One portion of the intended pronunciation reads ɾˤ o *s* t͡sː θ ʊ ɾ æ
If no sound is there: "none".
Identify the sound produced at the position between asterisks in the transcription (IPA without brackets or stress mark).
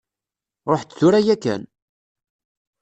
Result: ħ